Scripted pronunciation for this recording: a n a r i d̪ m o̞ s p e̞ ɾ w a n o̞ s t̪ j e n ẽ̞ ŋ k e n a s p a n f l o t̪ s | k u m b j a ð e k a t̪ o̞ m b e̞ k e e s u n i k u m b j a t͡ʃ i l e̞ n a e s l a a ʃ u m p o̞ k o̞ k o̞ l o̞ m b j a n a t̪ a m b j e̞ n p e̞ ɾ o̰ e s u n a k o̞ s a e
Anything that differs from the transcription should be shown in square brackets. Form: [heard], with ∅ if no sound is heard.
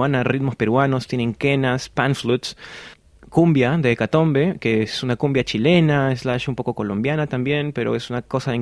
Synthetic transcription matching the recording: a n a r i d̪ m o̞ s p e̞ ɾ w a n o̞ s t̪ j e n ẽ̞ ŋ k e n a s p a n f l [u] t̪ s | k u m b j a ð e k a t̪ o̞ m b e̞ k e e s u n [a] k u m b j a t͡ʃ i l e̞ n a e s l a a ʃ u m p o̞ k o̞ k o̞ l o̞ m b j a n a t̪ a m b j e̞ n p e̞ ɾ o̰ e s u n a k o̞ s a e